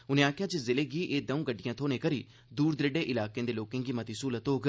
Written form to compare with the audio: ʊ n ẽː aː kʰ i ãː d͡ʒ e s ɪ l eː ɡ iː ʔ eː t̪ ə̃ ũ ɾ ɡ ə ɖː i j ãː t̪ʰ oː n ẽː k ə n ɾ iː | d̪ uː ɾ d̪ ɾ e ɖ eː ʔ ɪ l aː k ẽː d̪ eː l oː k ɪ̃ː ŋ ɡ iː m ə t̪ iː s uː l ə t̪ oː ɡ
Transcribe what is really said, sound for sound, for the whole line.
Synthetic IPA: ʊ n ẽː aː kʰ j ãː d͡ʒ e z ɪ l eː ɡ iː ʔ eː d̪ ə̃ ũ ɡ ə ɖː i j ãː t̪ʰ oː n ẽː k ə ɾ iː | d̪ uː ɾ d̪ ɾ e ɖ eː ʔ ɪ l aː k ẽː d̪ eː l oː k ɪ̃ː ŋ ɡ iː m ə t̪ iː s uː l ə t̪ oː ɡ

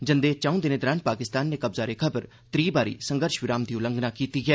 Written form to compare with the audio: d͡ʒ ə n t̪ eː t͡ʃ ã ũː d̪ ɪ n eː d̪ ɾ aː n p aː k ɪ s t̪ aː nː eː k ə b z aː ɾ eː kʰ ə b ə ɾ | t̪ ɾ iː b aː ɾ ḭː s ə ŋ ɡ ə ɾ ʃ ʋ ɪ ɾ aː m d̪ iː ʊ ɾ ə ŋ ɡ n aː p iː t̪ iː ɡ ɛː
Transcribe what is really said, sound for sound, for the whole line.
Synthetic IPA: d͡ʒ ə n d̪ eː t͡ʃ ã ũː d̪ ɪ n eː d̪ ɾ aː n p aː k ɪ s t̪ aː nː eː k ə b z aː ɾ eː kʰ ə b ə ɾ | t̪ ɾ iː b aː ɾ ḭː s ə ŋ ɡ ə ɾ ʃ ʋ ɪ ɾ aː m d̪ iː ʊ l ə ŋ ɡ n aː k iː t̪ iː ɡ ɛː

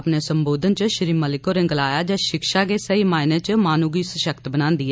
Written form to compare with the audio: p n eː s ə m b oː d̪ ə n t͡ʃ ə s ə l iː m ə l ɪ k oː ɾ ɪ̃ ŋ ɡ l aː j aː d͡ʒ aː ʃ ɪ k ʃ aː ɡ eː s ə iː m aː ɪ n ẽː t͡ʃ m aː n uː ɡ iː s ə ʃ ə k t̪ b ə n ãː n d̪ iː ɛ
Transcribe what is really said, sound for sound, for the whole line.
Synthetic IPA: p n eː s ə m b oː d̪ ə n t͡ʃ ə ʃ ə ɾ iː m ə l ɪ k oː ɾ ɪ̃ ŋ ɡ l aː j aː d͡ʒ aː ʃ ɪ k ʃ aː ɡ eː s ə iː m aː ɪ n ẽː t͡ʃ m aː n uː ɡ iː s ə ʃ ə k t̪ b ə n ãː n d̪ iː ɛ

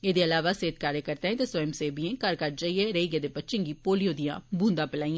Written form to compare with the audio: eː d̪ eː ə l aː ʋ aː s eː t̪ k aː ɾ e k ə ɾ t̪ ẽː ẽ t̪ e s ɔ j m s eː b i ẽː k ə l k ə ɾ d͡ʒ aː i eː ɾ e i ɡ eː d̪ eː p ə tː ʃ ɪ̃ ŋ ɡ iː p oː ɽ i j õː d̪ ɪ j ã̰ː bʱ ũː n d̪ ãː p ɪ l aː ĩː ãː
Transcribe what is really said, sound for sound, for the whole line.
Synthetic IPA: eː d̪ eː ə l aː ʋ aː s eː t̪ k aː ɾ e k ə ɾ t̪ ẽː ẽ t̪ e s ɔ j m s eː b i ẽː k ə ɾ k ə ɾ d͡ʒ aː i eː ɾ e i ɡ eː d̪ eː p ə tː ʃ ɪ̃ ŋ ɡ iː p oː l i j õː d̪ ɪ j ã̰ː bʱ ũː n d̪ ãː p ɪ l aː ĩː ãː

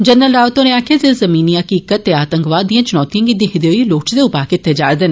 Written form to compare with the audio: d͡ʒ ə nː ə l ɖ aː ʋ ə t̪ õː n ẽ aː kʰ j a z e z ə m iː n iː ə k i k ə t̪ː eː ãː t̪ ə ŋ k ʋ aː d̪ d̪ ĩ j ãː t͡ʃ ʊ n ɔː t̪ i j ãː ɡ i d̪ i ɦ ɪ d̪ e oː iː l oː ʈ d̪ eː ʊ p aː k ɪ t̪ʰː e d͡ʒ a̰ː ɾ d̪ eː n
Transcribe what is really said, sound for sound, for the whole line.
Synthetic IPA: d͡ʒ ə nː ə l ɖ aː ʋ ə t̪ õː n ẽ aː kʰ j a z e z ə m iː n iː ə k iː k ə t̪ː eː aː t̪ ə ŋ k ʋ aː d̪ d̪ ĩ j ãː t͡ʃ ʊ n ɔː t̪ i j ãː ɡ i d̪ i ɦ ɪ d̪ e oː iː l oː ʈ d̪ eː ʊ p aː k ɪ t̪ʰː e d͡ʒ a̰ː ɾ d̪ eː n

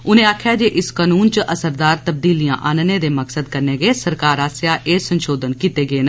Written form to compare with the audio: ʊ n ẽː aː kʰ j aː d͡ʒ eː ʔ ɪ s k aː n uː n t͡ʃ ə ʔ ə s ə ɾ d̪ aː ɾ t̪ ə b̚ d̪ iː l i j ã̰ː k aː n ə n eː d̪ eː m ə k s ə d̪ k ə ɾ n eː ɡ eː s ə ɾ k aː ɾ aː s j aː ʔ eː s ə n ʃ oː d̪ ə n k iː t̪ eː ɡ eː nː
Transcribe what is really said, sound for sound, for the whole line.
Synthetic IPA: ʊ n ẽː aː kʰ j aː d͡ʒ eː ʔ ɪ s k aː n uː n t͡ʃ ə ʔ ə s ə ɾ d̪ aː ɾ t̪ ə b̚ d̪ iː l i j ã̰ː ʔ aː n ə n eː d̪ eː m ə k s ə d̪ k ə ɾ n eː ɡ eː s ə ɾ k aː ɾ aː s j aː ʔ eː s ə n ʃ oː d̪ ə n k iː t̪ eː ɡ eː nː

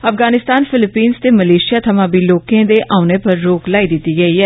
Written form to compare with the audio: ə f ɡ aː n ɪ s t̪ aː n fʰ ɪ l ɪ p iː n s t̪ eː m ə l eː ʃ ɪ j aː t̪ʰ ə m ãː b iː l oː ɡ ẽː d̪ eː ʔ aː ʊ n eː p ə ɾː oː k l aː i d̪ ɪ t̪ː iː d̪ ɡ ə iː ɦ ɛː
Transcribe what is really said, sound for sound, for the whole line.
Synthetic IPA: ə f ɡ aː n ɪ s t̪ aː n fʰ ɪ l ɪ p iː n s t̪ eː m ə l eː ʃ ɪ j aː t̪ʰ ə m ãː b iː l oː k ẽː d̪ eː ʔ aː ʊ n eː p ə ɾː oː k l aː i d̪ ɪ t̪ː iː ɡ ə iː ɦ ɛː

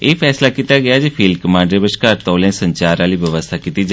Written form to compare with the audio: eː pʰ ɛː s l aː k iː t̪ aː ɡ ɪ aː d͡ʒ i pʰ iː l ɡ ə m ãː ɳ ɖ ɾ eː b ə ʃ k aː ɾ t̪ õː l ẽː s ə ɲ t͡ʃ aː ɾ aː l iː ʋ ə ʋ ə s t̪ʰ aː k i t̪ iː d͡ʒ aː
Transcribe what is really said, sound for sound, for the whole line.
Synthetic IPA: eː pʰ ɛː s l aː k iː t̪ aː ɡ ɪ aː d͡ʒ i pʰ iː l k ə m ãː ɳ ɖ ɾ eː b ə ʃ k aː ɾ t̪ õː l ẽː s ə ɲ t͡ʃ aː ɾ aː l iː ʋ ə ʋ ə s t̪ʰ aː k i t̪ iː d͡ʒ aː

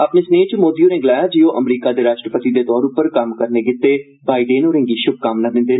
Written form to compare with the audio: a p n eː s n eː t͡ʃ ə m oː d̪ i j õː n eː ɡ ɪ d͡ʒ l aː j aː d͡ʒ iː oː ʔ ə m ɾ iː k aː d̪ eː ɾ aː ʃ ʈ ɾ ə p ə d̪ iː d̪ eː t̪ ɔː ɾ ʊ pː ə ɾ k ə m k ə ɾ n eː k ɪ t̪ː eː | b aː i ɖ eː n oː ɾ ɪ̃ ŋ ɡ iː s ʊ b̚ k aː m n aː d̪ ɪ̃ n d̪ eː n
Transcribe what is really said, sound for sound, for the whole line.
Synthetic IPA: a p n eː s n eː t͡ʃ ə m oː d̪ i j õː n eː ɡ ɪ l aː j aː d͡ʒ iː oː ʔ ə m ɾ iː k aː d̪ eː ɾ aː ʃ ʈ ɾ ə p ə t̪ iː d̪ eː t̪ ɔː ɾ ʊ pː ə ɾ k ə m k ə ɾ n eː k ɪ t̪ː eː | b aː i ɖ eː n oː ɾ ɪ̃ ŋ ɡ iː ʃ ʊ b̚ k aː m n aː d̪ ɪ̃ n d̪ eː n

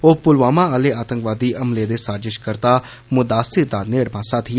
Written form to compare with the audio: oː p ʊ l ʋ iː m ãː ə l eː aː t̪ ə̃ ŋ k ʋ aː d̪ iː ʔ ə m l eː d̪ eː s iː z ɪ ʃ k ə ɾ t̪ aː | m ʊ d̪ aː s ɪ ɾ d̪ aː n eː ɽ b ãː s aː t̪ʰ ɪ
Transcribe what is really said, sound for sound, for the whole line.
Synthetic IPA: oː p ʊ l ʋ aː m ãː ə l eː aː t̪ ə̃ ŋ k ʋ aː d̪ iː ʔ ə m l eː d̪ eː s aː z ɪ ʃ k ə ɾ t̪ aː | m ʊ d̪ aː s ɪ ɾ d̪ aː n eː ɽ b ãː s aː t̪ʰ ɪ

